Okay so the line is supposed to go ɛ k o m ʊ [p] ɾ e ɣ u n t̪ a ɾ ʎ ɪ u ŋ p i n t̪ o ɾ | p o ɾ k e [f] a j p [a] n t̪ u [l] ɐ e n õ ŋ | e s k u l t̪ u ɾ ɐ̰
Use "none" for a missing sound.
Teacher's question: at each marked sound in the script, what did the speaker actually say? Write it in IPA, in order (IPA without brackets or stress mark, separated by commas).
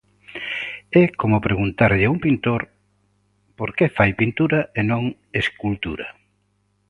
p, f, i, ɾ